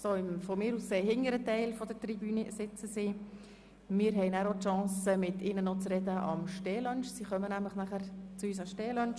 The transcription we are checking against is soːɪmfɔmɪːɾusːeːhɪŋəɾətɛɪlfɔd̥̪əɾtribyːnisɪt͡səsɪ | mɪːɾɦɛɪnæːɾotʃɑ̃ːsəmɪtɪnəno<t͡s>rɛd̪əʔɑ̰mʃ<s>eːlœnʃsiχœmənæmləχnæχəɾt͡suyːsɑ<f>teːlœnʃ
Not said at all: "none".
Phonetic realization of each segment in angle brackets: t͡s, t, ʃ

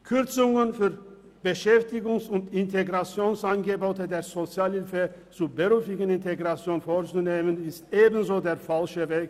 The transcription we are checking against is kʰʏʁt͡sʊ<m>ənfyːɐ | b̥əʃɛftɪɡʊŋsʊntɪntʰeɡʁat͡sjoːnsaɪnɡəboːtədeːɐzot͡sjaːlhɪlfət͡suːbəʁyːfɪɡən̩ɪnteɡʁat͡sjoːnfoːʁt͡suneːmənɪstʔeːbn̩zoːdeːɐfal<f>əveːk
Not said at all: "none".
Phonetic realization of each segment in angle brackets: ŋ, ʃ

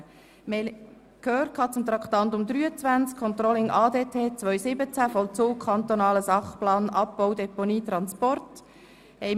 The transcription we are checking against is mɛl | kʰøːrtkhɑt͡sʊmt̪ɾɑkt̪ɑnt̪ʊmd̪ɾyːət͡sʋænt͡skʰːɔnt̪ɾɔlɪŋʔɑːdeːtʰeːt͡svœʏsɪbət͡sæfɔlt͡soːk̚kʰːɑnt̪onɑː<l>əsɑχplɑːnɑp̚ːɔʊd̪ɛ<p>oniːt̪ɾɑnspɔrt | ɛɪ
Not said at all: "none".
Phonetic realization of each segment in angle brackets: l, p

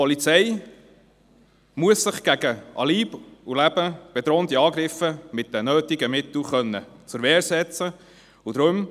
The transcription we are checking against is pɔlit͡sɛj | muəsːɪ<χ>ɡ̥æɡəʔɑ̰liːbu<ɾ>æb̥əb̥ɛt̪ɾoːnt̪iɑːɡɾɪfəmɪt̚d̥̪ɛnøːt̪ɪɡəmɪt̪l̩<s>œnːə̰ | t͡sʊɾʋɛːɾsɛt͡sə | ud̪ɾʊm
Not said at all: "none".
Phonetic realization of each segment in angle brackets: χ, l, χ

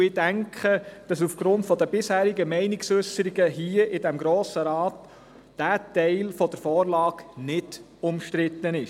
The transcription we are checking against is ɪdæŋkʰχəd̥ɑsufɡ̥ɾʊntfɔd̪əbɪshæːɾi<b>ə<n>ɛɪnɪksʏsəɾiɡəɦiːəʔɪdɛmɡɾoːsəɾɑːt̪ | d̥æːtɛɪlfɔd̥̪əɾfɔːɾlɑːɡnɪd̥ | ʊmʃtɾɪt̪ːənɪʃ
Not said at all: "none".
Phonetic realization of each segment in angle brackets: ɡ, m

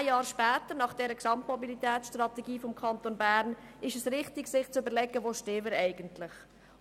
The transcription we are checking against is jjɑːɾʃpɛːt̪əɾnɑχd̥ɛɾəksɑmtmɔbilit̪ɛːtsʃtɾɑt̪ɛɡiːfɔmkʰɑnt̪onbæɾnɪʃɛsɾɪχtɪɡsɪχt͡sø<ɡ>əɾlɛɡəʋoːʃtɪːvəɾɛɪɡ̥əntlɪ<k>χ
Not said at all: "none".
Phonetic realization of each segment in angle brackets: b, none

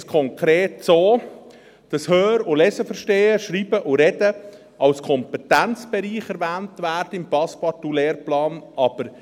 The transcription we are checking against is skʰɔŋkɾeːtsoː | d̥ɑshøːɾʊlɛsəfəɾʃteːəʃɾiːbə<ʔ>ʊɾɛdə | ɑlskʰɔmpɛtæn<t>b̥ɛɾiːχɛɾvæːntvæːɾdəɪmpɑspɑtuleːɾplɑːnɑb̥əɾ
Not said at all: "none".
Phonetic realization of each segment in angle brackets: ʔ, t͡s

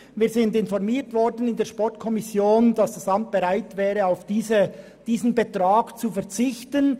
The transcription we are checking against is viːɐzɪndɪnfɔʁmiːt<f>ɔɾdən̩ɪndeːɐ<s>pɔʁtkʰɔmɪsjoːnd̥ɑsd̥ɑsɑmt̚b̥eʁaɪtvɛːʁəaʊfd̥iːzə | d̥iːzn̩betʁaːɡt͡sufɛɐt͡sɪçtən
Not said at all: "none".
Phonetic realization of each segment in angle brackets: v, ʃ

